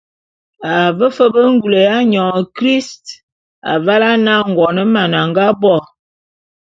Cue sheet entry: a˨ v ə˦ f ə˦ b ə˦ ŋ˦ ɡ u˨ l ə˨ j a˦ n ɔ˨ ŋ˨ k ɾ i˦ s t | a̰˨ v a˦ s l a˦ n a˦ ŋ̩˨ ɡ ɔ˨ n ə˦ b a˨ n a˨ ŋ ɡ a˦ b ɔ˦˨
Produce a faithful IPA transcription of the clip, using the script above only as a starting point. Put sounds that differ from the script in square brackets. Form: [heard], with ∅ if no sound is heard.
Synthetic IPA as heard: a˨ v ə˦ f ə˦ b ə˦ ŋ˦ ɡ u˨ l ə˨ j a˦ [ɲ] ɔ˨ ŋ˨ k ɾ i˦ s t | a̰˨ v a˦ [∅] l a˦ n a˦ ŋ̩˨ ɡ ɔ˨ n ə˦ [m] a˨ n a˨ ŋ ɡ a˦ b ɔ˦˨